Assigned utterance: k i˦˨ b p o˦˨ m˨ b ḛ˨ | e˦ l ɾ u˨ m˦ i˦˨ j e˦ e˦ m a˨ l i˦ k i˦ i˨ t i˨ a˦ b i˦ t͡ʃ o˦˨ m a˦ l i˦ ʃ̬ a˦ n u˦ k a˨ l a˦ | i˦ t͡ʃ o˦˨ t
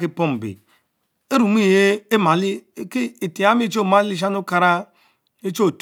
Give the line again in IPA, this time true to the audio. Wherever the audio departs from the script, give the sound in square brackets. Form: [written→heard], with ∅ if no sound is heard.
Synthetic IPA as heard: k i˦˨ [b→∅] p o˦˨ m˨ b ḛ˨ | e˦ [l→∅] ɾ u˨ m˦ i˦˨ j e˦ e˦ m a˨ l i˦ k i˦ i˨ t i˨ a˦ [b→m] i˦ t͡ʃ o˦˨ m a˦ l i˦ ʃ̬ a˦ n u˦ k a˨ [l→ɾ] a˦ | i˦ t͡ʃ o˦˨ t

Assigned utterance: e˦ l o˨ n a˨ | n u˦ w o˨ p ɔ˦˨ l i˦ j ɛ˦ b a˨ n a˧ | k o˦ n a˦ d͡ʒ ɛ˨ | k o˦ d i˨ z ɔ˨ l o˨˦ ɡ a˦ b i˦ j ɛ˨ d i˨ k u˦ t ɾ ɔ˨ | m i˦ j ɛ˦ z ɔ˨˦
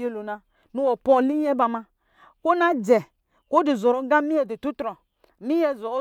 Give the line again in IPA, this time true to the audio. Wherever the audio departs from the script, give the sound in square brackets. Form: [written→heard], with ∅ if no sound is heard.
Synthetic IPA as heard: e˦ l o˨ n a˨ | n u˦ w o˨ p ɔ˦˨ l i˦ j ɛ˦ b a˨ [n→m] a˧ | k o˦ n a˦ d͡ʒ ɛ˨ | k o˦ d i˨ z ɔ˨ [l→ɾ] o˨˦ ɡ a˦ [b→m] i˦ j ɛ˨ d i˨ [k→t] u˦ t ɾ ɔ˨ | m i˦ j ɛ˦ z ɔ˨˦

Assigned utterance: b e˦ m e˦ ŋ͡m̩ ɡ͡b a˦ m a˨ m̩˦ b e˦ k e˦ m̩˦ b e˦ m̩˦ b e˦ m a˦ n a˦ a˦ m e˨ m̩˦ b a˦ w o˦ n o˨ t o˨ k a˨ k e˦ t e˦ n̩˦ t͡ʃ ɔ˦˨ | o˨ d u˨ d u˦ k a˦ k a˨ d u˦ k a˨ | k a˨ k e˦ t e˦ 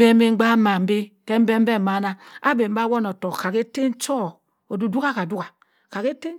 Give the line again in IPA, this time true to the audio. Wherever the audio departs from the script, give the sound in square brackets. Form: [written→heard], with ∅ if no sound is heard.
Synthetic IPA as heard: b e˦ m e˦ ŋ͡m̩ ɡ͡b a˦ m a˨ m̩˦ b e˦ k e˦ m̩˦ b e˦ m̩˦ b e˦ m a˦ n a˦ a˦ [m→b] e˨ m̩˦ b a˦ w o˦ n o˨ t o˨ k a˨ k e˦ t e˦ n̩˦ t͡ʃ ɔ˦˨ | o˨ d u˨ d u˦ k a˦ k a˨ d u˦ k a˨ | k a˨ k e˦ t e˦

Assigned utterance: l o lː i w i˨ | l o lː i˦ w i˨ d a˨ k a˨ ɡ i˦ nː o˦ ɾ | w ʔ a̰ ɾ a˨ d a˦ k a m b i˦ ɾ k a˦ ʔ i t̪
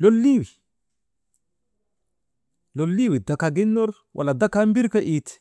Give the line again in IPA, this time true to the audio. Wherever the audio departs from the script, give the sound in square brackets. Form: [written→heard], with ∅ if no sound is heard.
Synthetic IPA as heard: l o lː i w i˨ | l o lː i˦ w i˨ d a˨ k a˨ ɡ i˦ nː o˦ ɾ | w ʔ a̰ [ɾ→l] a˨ d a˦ k a m b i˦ ɾ k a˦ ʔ i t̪

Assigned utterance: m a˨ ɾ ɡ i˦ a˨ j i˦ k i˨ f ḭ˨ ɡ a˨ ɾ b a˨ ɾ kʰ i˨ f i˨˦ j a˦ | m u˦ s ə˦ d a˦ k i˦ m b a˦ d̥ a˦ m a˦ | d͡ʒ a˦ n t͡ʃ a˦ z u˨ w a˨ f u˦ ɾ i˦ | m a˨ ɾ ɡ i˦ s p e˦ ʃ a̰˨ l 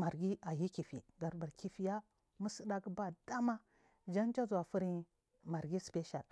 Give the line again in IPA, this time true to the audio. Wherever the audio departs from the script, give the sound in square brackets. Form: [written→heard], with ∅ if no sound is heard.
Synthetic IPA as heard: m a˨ ɾ ɡ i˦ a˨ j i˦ k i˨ f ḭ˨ ɡ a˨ ɾ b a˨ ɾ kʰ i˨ f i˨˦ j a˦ | m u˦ s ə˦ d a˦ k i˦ [m→∅] b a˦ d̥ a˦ m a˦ | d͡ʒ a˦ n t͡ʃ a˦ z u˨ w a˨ f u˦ ɾ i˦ | m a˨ ɾ ɡ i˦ s p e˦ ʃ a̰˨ l

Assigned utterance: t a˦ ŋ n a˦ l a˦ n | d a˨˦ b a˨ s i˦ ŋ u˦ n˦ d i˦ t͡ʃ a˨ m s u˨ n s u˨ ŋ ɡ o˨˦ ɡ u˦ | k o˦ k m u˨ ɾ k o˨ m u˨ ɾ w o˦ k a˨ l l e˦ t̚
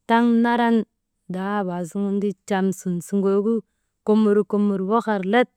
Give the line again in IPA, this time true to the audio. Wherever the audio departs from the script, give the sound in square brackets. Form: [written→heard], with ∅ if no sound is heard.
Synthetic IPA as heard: t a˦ ŋ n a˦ [l→ɾ] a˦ n | d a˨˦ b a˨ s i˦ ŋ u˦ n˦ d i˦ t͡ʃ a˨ m s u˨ n s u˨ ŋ ɡ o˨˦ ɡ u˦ | k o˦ [k→∅] m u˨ ɾ k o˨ m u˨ ɾ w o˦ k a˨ [l→ɾ] l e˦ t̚

